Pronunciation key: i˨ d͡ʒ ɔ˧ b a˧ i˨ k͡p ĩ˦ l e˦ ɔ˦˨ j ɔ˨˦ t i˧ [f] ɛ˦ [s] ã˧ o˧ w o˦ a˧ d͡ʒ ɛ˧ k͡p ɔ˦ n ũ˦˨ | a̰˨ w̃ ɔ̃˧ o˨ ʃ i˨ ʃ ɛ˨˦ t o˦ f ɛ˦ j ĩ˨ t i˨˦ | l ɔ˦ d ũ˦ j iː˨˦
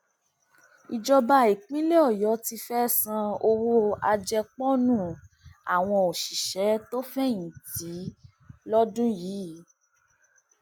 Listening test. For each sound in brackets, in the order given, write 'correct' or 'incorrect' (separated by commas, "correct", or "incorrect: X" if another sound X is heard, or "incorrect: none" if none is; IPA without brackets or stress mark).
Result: correct, correct